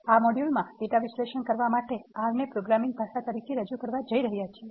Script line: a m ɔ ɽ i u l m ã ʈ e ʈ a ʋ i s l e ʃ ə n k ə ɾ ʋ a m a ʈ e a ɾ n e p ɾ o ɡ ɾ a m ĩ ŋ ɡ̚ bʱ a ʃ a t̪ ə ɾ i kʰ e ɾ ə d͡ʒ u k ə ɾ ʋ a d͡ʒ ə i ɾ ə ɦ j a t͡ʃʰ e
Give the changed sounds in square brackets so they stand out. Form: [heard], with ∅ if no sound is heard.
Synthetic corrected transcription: a m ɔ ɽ [j] u l m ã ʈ e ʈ a ʋ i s l e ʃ ə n k ə ɾ ʋ a m a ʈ e a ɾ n e p ɾ o ɡ ɾ a m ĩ ŋ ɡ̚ bʱ a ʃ a t̪ ə ɾ i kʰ e ɾ ə d͡ʒ u k ə ɾ ʋ a d͡ʒ ə i ɾ ə ɦ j a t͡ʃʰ e